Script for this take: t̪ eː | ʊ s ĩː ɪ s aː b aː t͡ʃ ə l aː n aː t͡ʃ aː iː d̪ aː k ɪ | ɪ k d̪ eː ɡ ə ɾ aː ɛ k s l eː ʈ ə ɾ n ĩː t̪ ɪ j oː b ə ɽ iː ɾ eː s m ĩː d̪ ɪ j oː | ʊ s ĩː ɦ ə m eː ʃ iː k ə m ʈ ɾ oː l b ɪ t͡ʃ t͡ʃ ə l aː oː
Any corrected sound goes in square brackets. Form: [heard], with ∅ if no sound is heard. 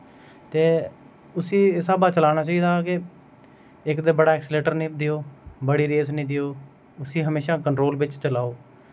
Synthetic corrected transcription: t̪ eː | ʊ s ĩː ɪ s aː b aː t͡ʃ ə l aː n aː t͡ʃ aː iː d̪ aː k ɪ | ɪ k d̪ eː [b] ə [ɽ] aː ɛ k s l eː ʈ ə ɾ n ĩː [d̪] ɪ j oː b ə ɽ iː ɾ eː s [n] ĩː d̪ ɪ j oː | ʊ s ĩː ɦ ə m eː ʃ [aː] k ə [ɳ] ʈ ɾ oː l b ɪ t͡ʃ t͡ʃ ə l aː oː

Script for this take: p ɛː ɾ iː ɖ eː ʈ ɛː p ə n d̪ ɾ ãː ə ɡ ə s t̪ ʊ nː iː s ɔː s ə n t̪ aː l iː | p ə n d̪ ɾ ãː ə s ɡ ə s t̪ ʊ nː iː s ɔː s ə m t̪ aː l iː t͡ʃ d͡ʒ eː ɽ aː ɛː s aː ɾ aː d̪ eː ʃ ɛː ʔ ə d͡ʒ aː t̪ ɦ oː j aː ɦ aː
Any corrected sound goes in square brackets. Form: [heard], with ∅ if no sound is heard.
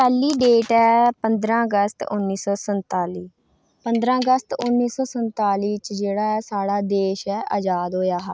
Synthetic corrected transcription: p ɛː [l] iː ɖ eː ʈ ɛː p ə n d̪ ɾ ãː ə ɡ ə s t̪ ʊ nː iː s ɔː s ə n t̪ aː l iː | p ə n d̪ ɾ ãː ə [∅] ɡ ə s t̪ ʊ nː iː s ɔː s ə [n] t̪ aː l iː t͡ʃ d͡ʒ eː ɽ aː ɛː s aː [ɽ] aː d̪ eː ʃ ɛː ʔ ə d͡ʒ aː [d̪] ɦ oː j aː ɦ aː

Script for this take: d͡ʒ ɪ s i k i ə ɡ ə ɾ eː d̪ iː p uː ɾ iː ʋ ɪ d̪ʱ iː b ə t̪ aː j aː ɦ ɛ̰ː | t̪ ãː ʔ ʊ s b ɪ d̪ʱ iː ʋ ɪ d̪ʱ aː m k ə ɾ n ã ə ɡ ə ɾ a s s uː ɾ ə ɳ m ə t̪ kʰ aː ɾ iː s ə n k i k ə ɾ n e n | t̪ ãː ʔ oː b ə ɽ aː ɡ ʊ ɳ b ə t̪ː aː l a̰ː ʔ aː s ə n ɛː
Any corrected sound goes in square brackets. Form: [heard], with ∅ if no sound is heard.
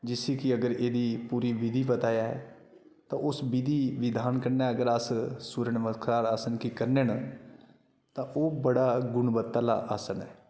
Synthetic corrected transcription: d͡ʒ ɪ s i k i ə ɡ ə ɾ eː d̪ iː p uː ɾ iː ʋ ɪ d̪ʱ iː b ə t̪ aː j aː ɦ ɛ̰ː | t̪ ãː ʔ ʊ s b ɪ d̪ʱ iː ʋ ɪ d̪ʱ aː [n] k ə ɾ n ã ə ɡ ə ɾ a s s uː ɾ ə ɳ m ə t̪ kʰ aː ɾ [aː] s ə n k i k ə ɾ n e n | t̪ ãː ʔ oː b ə ɽ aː ɡ ʊ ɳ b ə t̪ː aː l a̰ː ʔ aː s ə n ɛː

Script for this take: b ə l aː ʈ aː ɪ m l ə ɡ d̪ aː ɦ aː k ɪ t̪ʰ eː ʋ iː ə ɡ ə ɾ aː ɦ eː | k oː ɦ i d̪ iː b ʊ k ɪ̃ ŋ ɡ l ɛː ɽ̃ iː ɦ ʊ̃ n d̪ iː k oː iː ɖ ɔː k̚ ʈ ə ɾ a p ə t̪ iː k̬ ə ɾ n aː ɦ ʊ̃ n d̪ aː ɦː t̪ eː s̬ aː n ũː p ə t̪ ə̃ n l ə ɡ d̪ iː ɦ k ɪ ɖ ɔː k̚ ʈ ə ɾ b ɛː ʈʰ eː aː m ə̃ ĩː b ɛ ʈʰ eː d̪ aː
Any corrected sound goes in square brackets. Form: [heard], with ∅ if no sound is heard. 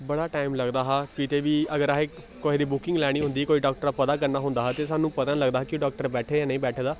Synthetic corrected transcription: b ə [ɽ] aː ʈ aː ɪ m l ə ɡ d̪ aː ɦ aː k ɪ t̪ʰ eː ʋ iː ə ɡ ə ɾ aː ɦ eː | k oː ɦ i d̪ iː b ʊ k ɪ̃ ŋ ɡ l ɛː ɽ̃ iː ɦ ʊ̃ n d̪ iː k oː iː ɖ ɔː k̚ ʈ ə ɾ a p ə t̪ [aː] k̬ ə ɾ n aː ɦ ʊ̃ n d̪ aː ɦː t̪ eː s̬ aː n ũː p ə t̪ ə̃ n l ə ɡ d̪ [aː] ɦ k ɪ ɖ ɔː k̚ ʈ ə ɾ b ɛː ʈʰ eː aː [n] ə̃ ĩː b [ɛː] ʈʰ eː d̪ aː

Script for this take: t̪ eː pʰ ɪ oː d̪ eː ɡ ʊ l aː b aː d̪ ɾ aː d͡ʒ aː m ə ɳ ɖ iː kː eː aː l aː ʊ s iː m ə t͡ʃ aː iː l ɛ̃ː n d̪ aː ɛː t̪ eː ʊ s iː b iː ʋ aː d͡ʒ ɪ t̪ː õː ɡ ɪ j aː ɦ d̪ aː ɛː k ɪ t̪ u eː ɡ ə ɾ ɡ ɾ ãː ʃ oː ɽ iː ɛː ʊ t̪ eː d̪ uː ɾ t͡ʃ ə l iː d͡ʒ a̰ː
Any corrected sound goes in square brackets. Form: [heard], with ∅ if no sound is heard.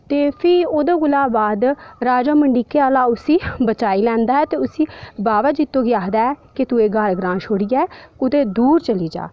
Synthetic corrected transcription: t̪ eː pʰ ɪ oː d̪ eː ɡ ʊ l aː b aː d̪ ɾ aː d͡ʒ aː m ə ɳ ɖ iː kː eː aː l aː ʊ s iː [b] ə t͡ʃ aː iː l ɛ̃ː n d̪ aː ɛː t̪ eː ʊ s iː b [aː] ʋ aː d͡ʒ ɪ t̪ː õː ɡ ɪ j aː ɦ d̪ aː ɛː k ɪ t̪ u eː ɡ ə ɾ ɡ ɾ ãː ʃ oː ɽ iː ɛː ʊ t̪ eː d̪ uː ɾ t͡ʃ ə l iː d͡ʒ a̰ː

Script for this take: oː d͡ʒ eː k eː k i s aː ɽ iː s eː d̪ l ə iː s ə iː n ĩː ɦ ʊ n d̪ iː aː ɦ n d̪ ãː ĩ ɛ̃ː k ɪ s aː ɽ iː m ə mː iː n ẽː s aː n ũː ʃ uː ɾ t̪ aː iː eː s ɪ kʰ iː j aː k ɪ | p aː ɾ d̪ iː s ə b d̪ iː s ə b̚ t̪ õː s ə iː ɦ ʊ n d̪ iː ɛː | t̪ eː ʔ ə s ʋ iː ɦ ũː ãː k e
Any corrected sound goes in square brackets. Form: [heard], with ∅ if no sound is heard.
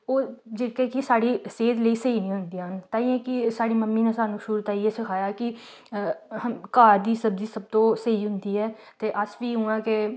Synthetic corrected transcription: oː d͡ʒ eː k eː k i s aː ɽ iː s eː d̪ l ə iː s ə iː n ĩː ɦ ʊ n d̪ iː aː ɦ n [t̪] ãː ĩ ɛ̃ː k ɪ s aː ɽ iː m ə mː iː n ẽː s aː n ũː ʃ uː ɾ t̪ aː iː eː s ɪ kʰ [aː] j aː k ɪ | [k] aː ɾ d̪ iː s ə b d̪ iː s ə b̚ t̪ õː s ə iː ɦ ʊ n d̪ iː ɛː | t̪ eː ʔ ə s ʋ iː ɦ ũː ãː k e

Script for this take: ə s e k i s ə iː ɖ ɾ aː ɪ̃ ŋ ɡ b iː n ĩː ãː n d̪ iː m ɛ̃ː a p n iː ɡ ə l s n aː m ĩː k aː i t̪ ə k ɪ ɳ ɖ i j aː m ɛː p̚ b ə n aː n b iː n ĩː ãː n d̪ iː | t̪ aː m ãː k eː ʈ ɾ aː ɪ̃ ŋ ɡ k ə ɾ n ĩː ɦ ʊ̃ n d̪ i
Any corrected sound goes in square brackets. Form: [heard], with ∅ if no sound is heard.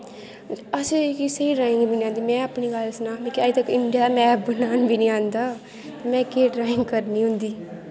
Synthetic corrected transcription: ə s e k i s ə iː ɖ ɾ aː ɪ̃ ŋ ɡ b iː n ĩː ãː n d̪ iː m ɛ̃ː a p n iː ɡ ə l s n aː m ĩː k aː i t̪ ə k ɪ ɳ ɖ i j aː m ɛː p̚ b ə n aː n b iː n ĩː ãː n d̪ [aː] | t̪ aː m [ɛ̃ː] k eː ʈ ɾ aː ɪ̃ ŋ ɡ k ə ɾ n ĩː ɦ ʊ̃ n d̪ [iː]

